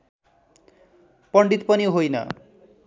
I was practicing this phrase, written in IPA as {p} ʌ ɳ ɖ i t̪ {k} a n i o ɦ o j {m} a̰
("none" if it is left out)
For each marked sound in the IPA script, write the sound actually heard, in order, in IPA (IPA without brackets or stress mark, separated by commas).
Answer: p, p, n